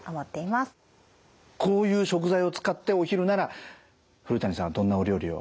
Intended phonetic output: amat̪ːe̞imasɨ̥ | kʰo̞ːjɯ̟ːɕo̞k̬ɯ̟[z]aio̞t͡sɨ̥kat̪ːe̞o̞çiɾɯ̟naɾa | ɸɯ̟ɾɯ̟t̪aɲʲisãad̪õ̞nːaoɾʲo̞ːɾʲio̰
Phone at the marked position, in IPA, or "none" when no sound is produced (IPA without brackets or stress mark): z